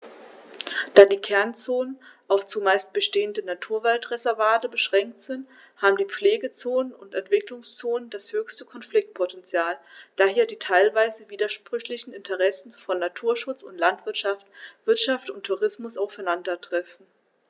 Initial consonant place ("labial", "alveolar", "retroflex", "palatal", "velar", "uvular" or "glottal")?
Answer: alveolar